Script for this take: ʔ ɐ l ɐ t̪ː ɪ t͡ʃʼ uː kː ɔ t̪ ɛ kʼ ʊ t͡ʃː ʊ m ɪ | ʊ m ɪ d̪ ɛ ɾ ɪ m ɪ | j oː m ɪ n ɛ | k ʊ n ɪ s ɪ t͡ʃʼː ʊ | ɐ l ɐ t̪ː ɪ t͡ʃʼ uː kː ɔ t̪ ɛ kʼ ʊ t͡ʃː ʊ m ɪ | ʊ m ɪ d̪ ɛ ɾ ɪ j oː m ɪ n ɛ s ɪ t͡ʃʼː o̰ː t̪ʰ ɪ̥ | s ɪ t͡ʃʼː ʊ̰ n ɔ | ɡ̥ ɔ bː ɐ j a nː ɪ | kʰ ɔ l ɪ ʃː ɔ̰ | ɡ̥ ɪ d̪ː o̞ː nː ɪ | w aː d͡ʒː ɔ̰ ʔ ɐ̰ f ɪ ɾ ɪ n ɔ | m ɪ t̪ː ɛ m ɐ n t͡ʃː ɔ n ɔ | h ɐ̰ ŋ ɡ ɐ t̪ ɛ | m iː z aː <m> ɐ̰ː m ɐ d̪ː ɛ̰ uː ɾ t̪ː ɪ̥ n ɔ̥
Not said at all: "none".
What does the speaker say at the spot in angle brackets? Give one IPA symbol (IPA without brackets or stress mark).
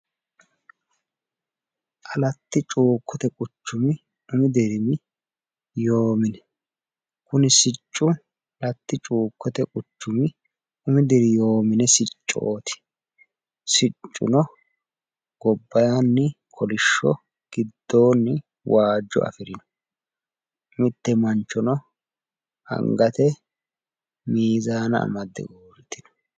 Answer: n